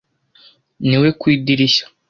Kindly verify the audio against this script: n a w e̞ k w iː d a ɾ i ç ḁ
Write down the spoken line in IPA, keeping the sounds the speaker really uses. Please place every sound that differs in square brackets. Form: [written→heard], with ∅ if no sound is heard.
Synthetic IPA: n [a→i] w e̞ k w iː d [a→i] ɾ i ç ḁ